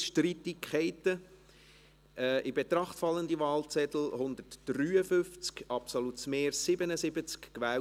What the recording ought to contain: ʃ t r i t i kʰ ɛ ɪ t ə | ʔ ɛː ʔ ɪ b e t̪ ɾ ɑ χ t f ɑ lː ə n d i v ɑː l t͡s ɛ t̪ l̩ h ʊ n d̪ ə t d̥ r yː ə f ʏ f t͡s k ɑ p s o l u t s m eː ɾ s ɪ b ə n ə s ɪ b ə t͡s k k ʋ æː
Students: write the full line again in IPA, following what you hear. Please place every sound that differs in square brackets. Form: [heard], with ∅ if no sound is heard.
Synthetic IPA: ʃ t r i t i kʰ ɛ ɪ t ə | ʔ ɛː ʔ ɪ b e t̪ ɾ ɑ χ t f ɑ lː ə n d i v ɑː l t͡s ɛ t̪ l̩ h ʊ n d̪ ə t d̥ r yː ə f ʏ f t͡s k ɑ p s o l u t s m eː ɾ s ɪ b ə n ə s ɪ b ə t͡s k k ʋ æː